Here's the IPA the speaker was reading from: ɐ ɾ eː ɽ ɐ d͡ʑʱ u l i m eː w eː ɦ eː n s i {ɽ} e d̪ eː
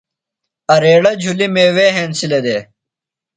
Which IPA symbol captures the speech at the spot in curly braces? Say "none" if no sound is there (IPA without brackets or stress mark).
l